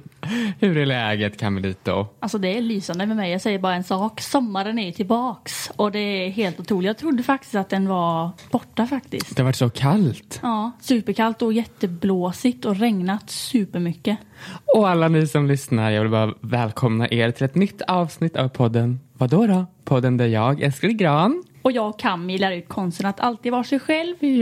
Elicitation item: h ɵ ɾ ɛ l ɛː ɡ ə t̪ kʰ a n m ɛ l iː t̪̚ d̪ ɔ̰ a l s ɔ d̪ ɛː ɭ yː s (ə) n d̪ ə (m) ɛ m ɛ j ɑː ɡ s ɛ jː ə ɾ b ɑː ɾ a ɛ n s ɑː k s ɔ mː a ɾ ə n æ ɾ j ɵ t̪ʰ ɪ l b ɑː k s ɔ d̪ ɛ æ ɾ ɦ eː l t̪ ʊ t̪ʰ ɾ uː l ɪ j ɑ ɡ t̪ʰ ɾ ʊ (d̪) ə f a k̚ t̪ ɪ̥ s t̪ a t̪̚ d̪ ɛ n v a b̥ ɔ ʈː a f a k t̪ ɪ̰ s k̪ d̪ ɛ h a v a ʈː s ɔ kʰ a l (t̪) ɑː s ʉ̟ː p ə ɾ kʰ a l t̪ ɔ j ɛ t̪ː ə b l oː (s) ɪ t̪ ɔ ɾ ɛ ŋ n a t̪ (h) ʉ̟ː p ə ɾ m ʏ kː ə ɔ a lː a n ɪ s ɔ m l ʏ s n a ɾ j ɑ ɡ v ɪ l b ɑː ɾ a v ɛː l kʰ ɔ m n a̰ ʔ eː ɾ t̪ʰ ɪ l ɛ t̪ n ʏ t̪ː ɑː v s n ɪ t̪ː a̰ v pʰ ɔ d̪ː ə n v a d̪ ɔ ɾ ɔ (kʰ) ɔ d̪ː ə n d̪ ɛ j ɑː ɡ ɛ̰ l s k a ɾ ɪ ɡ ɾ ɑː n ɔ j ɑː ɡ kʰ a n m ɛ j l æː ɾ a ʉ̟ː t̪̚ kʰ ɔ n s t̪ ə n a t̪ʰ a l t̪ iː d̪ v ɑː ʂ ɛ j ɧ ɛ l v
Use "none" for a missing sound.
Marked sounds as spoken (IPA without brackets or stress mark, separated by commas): a, m, d̪ː, t̪, s, s, pʰ